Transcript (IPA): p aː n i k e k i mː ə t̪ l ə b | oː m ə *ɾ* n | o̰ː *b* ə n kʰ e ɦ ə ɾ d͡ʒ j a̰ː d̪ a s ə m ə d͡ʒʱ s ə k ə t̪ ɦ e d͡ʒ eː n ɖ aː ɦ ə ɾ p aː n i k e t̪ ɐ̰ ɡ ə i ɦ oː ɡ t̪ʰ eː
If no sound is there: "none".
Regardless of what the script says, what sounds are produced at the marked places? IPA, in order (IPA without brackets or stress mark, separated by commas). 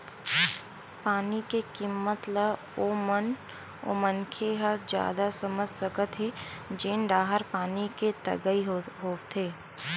none, m